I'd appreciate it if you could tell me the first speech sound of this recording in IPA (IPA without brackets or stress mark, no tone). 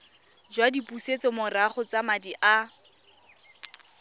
d͡ʒ